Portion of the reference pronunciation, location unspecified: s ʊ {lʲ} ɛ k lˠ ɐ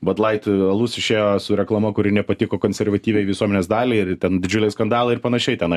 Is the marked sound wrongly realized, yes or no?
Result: yes